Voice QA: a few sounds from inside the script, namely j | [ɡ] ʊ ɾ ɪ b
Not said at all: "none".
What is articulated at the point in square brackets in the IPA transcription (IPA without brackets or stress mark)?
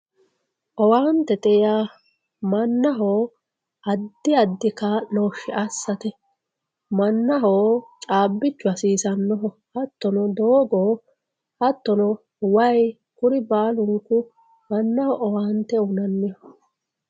k